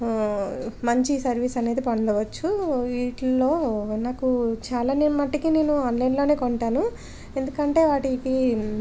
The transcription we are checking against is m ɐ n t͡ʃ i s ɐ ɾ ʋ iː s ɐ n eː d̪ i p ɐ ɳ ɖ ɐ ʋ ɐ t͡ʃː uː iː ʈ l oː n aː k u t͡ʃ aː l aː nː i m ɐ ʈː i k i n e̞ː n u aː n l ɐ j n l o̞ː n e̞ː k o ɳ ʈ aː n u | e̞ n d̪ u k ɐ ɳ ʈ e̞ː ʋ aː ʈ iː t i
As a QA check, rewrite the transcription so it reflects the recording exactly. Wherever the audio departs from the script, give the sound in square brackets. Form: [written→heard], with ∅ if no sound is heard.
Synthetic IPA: m ɐ [n→ɲ] t͡ʃ i s ɐ ɾ ʋ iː s ɐ n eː d̪ i p ɐ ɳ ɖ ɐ ʋ ɐ t͡ʃː [uː→u] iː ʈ l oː n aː k u t͡ʃ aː l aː [nː→n] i m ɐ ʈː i k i n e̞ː n u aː n l ɐ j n l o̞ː n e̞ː k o ɳ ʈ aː n u | e̞ n d̪ u k ɐ ɳ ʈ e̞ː ʋ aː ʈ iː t i